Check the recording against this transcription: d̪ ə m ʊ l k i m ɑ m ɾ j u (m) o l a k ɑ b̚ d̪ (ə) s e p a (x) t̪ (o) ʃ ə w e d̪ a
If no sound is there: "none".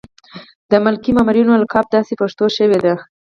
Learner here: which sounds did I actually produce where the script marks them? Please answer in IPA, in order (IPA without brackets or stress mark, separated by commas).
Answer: n, ɑ, ʂ, o